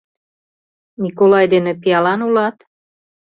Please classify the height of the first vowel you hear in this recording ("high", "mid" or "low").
high